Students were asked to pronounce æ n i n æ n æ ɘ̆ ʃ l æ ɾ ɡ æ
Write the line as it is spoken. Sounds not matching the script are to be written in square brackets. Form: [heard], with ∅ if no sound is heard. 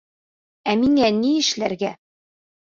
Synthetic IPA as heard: æ [m] i [ŋ] æ n [i] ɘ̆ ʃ l æ ɾ ɡ æ